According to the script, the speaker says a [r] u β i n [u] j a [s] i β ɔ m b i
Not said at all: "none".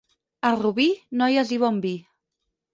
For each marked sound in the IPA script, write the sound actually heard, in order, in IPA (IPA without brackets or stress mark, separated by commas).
r, ɔ, z